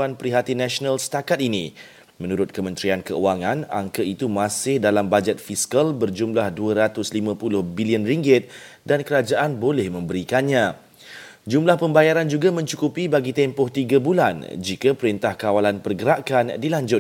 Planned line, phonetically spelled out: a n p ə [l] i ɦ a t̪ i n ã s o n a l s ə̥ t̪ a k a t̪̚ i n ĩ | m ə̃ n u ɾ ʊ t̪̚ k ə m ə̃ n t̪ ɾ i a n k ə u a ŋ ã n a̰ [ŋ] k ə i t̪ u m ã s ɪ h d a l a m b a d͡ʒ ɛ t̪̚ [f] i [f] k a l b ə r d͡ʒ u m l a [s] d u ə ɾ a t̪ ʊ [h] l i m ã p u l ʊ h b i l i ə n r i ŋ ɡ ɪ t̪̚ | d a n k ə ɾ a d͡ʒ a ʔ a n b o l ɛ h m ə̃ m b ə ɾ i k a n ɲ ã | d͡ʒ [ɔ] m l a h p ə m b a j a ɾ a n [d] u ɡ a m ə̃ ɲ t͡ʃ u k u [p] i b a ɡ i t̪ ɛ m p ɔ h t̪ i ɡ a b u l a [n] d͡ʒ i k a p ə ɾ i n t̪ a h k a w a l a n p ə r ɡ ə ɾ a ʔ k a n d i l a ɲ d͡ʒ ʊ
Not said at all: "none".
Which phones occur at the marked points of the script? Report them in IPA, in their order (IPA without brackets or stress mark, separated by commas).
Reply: ɾ, ŋ, f, s, h, s, u, d͡ʒ, p, n